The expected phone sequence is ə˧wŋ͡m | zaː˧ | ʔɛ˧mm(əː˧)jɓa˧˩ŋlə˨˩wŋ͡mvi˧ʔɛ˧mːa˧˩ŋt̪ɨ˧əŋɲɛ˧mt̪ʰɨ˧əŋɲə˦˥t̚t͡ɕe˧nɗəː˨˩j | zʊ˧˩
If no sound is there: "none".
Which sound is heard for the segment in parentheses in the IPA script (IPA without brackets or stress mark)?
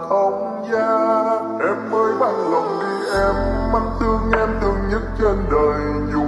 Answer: əː˧